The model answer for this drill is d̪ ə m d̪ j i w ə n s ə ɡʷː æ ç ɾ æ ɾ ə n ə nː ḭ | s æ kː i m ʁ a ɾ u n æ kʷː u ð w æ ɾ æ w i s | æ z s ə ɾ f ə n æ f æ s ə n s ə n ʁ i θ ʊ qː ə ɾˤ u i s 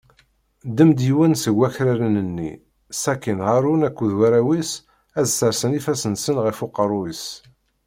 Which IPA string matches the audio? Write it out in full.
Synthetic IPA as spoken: d̪ ə m d̪ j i w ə n s ə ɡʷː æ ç ɾ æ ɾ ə n ə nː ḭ | s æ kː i n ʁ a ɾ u n æ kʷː u ð w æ ɾ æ w i s | æ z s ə ɾ s ə n i f æ s ə n s ə n ʁ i f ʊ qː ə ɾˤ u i s